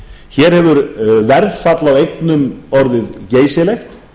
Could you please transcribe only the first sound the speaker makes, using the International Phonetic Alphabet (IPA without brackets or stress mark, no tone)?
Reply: ç